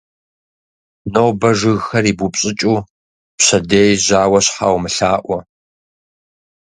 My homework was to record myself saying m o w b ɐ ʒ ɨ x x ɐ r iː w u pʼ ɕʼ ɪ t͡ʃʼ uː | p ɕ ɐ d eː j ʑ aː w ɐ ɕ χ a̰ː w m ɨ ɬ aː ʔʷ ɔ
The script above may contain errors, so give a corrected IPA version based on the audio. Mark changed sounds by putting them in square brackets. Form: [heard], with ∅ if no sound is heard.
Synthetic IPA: [n] o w b ɐ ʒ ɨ [ɣ] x ɐ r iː [b] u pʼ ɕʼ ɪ t͡ʃʼ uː | p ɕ ɐ d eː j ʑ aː w ɐ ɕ [ħ] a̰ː w m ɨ ɬ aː ʔʷ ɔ